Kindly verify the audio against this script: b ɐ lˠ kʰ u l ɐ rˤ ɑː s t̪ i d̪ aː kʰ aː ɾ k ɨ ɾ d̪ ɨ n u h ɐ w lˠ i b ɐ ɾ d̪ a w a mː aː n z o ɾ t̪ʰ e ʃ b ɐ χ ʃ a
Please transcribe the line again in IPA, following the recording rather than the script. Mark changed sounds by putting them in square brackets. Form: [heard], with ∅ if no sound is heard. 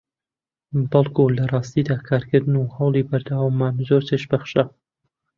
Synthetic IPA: b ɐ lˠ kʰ u l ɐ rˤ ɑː s t̪ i d̪ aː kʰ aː ɾ k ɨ ɾ d̪ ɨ n u h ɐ w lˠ i b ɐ ɾ d̪ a w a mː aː n z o ɾ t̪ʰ e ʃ b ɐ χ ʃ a